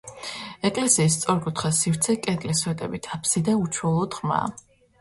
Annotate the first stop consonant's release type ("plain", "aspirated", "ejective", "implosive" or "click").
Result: ejective